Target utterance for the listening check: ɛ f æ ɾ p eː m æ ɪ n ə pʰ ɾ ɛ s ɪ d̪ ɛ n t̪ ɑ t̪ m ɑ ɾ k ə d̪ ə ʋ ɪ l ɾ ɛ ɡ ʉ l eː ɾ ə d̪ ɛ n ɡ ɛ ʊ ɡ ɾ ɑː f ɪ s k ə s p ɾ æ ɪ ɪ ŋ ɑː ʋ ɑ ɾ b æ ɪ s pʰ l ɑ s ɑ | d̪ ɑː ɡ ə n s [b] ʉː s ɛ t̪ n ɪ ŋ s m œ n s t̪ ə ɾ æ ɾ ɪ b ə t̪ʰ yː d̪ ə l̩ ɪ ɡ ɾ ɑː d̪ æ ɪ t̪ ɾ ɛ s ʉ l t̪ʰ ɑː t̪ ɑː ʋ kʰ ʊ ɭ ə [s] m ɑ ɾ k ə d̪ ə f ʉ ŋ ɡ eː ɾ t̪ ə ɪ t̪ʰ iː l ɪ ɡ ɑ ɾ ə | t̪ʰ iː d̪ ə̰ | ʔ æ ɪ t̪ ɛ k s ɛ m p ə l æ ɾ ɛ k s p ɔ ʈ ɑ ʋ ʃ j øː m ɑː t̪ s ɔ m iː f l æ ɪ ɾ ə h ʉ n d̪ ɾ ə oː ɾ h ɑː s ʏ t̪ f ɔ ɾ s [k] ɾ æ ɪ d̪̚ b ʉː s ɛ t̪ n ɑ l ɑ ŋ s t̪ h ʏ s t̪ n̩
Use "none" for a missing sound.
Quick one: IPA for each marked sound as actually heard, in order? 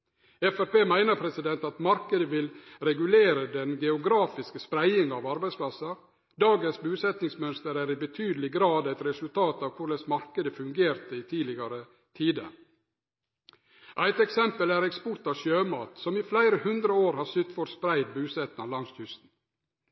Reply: b, s, p

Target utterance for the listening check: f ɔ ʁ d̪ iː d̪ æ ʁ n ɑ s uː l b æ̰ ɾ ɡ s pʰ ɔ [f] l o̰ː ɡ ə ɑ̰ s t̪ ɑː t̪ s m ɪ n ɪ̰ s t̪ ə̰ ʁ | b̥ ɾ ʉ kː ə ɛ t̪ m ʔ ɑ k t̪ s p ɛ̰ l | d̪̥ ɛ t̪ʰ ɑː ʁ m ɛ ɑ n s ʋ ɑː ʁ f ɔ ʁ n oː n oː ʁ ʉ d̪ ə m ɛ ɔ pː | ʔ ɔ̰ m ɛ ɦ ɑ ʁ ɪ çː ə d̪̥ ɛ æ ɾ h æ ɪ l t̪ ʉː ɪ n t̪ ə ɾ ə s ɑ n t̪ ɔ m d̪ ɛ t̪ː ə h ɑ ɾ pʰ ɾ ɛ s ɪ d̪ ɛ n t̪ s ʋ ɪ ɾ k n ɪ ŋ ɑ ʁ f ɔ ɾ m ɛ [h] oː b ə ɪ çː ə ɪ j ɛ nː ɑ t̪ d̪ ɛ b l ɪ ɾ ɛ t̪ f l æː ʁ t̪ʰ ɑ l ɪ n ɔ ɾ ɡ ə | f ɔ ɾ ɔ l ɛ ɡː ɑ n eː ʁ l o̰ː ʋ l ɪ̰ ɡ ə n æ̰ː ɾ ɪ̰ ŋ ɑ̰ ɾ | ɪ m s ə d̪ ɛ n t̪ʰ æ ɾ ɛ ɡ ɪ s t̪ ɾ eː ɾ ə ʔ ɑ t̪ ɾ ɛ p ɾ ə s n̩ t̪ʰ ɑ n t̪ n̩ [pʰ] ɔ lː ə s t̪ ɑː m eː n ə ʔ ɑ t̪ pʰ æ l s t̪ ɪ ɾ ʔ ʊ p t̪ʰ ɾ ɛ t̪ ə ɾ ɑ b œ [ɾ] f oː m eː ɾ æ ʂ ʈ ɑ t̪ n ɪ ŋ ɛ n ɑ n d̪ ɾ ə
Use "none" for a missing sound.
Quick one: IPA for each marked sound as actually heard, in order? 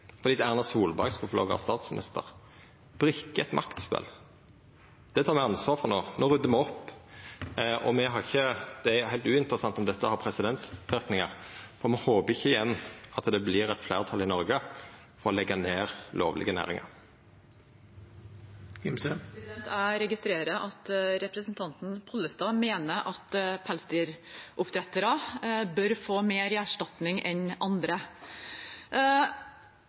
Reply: f, h, pʰ, ɾ

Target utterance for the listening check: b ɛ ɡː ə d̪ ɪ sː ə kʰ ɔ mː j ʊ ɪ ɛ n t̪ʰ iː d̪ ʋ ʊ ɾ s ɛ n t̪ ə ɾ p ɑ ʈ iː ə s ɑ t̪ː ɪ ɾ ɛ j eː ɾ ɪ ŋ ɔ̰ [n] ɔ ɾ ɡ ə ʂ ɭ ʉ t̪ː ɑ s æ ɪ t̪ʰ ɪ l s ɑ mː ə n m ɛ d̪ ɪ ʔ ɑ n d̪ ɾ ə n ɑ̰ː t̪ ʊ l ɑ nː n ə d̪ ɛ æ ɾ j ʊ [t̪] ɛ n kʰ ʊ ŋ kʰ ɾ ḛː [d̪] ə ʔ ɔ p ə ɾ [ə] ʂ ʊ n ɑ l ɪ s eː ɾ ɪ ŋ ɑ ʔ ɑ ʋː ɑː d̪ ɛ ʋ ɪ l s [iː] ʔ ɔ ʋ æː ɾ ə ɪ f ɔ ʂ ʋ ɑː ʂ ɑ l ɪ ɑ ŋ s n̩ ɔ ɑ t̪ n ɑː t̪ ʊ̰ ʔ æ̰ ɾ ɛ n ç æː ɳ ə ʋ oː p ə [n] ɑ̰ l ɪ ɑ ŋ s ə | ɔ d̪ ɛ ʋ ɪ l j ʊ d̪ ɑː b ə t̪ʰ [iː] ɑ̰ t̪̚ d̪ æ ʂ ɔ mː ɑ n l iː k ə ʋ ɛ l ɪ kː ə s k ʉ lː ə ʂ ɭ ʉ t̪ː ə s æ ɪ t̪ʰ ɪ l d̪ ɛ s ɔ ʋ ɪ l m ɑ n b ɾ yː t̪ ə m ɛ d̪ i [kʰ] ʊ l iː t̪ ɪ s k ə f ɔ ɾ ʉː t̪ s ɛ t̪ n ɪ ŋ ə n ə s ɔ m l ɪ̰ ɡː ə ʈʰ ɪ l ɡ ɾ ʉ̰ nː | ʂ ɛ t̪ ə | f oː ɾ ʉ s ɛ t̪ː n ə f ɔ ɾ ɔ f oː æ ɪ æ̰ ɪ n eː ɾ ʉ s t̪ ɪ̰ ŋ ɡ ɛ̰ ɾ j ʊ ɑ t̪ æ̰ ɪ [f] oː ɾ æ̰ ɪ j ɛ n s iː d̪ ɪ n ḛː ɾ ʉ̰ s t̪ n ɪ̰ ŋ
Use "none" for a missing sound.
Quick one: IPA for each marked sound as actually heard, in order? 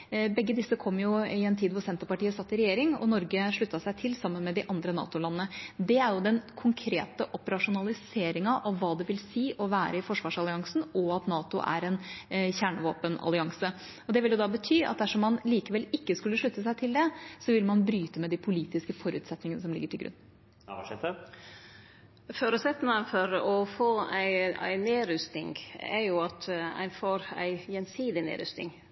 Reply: n, d̪, t̪, ɑ, iː, n, yː, pʰ, f

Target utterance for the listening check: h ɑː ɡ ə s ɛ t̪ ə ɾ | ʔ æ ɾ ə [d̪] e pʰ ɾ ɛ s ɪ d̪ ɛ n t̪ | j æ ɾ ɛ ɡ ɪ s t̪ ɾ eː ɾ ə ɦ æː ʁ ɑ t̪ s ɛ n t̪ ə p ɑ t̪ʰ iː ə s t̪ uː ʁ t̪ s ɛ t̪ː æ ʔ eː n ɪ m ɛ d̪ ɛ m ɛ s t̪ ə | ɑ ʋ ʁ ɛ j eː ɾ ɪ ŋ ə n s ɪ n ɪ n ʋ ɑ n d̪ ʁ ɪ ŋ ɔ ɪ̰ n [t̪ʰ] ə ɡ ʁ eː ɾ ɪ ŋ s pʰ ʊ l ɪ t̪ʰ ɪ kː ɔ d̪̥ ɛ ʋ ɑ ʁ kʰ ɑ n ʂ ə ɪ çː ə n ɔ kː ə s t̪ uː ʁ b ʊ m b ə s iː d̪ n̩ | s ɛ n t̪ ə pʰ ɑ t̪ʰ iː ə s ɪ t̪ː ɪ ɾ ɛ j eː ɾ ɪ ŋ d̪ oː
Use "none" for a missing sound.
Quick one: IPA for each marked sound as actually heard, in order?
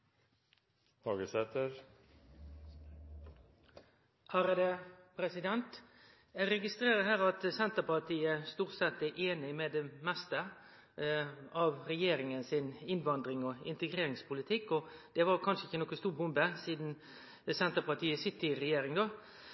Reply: d̪, t̪

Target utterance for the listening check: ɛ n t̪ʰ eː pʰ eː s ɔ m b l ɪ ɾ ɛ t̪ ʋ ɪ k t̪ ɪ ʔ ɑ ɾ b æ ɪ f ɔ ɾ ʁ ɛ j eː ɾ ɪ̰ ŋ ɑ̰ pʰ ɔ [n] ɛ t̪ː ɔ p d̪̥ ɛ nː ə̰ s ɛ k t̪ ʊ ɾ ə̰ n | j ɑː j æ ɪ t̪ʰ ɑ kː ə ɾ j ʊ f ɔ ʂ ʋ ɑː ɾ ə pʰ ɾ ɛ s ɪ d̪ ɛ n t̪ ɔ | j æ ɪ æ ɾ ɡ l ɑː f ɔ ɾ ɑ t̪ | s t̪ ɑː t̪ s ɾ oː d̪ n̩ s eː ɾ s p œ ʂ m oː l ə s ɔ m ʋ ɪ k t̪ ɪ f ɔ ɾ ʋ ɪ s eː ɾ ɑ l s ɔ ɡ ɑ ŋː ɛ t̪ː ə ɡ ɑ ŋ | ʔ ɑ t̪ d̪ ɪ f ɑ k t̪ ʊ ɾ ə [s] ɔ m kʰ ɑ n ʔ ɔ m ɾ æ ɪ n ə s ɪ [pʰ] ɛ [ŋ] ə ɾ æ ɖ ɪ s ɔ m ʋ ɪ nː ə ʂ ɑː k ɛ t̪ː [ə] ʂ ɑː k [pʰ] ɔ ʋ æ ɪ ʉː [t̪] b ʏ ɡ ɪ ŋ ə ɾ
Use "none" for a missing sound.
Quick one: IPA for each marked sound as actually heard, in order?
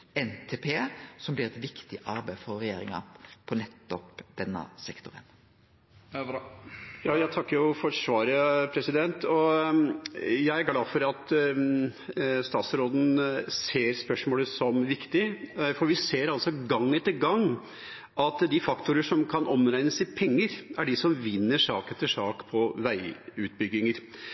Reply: n, ʂ, pʰ, ŋː, ə, pʰ, t̪

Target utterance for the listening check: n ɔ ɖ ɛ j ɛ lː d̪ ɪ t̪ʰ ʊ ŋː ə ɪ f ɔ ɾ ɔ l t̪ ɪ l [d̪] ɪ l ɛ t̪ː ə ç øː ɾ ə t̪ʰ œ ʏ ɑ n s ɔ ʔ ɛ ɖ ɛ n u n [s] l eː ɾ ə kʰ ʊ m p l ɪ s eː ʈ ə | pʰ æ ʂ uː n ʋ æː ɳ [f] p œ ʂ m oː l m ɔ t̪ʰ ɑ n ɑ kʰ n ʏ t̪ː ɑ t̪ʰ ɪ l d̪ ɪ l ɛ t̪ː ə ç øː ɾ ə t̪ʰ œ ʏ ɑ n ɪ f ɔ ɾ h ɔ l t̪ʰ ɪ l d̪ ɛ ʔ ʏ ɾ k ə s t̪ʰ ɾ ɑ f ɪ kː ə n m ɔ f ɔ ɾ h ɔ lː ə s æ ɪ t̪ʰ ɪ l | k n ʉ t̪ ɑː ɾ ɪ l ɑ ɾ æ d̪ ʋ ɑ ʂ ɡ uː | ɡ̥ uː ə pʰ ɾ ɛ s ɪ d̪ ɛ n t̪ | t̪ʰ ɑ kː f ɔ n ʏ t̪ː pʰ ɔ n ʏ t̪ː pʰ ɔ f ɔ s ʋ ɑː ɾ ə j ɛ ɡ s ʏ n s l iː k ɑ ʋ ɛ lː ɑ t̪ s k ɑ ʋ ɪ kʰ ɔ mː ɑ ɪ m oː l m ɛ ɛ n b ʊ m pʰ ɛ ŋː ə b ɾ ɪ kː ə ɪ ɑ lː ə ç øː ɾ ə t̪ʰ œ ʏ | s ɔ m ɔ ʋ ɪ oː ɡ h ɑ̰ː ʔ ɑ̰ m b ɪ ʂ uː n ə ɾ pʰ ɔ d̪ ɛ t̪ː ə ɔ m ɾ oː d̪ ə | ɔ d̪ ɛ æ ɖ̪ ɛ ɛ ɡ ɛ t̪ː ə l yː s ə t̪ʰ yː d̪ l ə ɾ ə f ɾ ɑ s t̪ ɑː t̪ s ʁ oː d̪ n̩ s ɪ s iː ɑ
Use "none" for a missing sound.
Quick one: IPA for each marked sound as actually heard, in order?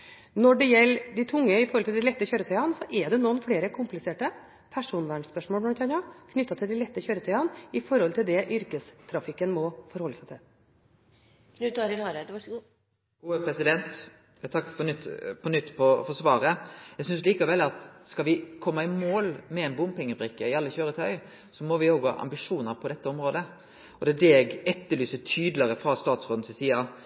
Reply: d̪, f, s

